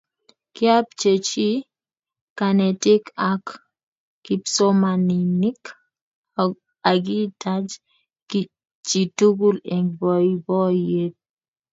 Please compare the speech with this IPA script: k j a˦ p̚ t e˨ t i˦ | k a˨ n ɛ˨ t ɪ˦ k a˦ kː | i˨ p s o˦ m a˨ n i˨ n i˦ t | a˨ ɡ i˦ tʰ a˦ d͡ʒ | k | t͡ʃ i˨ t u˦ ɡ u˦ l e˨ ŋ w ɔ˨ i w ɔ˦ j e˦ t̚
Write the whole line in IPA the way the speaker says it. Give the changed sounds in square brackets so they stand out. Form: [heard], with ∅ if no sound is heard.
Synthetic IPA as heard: k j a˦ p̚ [t͡ʃ] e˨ [t͡ʃ] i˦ | k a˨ n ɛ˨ t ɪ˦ k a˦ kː | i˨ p s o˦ m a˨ n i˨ n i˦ [k] | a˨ ɡ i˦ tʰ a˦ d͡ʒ | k | t͡ʃ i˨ t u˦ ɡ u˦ l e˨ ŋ [b] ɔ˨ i [b] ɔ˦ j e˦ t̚

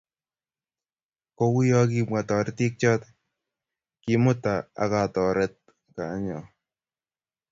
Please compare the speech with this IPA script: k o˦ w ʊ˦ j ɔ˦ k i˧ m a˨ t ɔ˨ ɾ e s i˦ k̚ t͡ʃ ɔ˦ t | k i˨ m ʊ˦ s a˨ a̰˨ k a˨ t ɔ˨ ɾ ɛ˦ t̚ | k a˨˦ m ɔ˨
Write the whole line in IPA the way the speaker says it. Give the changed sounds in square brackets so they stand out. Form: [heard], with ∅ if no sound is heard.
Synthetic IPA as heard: k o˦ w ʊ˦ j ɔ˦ k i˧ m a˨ t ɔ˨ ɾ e [t] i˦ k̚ t͡ʃ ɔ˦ t | k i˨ m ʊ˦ [t] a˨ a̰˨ k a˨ t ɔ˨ ɾ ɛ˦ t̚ | k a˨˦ [ɲ] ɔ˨

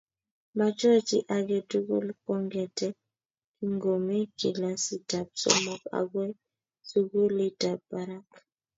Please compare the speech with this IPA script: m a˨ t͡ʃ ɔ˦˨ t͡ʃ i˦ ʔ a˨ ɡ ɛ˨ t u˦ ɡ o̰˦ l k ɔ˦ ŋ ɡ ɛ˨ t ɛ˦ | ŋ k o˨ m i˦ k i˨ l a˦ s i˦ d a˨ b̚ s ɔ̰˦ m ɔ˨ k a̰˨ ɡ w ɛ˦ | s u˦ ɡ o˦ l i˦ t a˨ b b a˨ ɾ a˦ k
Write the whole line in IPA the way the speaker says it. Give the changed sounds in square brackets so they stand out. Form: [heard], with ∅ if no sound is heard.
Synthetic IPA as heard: m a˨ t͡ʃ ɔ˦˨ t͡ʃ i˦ ʔ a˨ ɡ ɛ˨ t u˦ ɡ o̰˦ l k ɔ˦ ŋ ɡ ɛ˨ t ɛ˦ | ŋ [ɡ] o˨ m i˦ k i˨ l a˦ s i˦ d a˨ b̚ s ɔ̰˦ m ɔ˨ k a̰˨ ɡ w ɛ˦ | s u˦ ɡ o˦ l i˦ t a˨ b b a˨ ɾ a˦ k

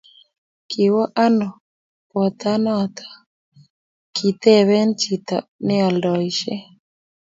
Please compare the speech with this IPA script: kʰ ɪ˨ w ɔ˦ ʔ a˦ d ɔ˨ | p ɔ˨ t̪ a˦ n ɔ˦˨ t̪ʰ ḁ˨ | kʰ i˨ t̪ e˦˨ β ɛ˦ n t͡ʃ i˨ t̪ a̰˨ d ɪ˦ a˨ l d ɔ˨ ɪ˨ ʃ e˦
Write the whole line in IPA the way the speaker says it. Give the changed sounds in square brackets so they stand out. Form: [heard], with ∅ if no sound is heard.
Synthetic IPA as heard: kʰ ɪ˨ w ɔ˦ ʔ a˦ [n] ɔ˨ | p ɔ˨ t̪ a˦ n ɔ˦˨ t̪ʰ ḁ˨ | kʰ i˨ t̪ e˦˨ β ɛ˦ n t͡ʃ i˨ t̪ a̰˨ [n] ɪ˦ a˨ l d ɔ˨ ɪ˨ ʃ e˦

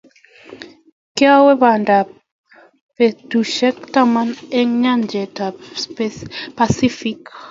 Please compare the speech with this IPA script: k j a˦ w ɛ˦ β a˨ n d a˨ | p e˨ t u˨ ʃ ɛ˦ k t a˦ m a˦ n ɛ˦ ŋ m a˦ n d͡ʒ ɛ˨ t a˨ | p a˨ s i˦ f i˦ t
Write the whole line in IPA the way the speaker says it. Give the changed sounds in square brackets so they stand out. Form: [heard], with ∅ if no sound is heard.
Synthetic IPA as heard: k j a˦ w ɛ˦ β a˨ n d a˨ | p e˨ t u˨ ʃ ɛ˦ k t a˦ m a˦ n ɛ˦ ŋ [ɲ] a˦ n d͡ʒ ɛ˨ t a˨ | p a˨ s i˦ f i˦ [k]

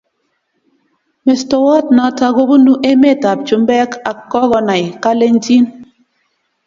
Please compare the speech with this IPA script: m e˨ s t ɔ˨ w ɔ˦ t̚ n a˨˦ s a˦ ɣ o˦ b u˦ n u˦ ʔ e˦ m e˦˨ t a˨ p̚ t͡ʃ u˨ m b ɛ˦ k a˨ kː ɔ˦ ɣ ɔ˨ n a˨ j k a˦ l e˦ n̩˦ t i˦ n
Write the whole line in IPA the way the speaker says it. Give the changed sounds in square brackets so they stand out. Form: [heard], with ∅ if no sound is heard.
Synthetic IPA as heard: m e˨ s t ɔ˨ w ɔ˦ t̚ n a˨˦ [t] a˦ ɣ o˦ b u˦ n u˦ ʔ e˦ m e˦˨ t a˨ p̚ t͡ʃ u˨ m b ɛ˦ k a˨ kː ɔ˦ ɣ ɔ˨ n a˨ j k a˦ l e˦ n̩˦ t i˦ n

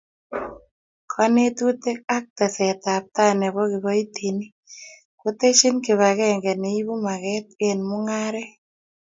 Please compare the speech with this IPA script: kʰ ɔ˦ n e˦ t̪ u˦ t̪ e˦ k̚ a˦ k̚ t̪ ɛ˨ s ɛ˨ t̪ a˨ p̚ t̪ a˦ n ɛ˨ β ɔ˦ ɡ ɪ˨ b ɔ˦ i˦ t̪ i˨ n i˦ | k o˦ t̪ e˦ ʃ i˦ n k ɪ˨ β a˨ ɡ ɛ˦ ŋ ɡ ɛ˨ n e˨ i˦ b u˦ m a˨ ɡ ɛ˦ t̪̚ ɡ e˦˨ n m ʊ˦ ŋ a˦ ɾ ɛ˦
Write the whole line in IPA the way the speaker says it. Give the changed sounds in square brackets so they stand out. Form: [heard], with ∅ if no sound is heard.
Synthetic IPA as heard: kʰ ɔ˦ n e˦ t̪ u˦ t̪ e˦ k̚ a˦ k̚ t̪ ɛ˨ s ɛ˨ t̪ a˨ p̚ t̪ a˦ n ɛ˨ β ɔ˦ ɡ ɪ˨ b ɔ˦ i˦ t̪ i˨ n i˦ | k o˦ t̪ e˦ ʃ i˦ n k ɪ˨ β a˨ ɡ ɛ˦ ŋ ɡ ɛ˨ n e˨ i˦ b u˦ m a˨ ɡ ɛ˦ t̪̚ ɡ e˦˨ n m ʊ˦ ŋ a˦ ɾ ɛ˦

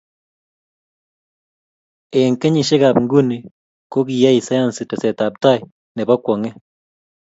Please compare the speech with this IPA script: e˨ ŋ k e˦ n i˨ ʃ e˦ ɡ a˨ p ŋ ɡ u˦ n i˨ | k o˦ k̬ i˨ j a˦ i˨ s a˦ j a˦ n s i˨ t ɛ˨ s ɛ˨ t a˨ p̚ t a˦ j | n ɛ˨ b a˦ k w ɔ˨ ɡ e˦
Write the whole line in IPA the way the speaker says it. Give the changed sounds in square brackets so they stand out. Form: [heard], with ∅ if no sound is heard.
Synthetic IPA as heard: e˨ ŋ k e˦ [ɲ] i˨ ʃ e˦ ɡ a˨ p ŋ ɡ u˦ n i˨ | k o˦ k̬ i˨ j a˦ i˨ s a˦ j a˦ n s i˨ t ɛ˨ s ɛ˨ t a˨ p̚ t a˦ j | n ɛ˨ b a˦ k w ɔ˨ [ŋ] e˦

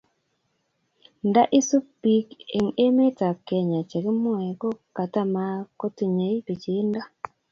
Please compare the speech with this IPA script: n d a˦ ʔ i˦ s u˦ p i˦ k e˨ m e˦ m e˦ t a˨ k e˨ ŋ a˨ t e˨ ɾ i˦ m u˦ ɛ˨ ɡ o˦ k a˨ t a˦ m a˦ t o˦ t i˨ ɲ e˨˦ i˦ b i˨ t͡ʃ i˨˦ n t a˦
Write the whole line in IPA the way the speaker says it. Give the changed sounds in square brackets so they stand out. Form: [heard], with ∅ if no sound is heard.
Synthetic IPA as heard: n d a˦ ʔ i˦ s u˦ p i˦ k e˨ [ŋ] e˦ m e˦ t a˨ k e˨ [ɲ] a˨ [t͡ʃ] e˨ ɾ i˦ m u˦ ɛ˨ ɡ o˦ k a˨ t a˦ m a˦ [k] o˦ t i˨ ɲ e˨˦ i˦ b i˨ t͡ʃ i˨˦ n [d] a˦

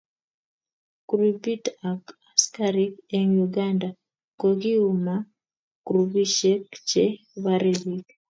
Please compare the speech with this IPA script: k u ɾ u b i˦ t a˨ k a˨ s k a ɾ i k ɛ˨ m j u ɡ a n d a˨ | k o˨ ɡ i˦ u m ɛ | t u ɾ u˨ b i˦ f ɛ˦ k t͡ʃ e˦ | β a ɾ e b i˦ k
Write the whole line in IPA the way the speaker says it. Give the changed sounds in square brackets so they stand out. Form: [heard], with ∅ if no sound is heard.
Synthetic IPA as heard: k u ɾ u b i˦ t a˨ k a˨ s k a ɾ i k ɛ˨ [ŋ] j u ɡ a n d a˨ | k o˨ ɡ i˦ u m [a] | [k] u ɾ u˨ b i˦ [ʃ] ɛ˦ k t͡ʃ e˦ | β a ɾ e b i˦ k

